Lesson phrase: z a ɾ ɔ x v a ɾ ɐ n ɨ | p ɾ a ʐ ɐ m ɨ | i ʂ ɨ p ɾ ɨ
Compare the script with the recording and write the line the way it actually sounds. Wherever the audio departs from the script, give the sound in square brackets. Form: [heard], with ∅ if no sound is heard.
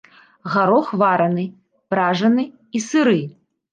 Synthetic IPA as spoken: [ɣ] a ɾ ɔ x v a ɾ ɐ n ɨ | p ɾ a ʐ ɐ [n] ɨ | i [s] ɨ [∅] ɾ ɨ